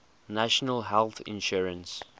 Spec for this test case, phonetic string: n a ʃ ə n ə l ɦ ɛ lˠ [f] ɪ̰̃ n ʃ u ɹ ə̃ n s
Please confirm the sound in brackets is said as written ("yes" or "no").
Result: no